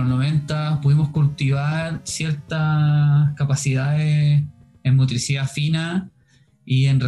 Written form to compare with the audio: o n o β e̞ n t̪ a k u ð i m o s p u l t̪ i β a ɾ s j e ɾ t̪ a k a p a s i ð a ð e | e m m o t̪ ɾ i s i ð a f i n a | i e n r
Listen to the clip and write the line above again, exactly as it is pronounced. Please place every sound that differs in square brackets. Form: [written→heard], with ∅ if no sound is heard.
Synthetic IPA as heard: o n o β e̞ n t̪ a [k→p] u ð i m o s [p→k] u l t̪ i β a ɾ s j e ɾ t̪ a k a p a s i ð a ð e | e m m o t̪ ɾ i s i ð a f i n a | i e n r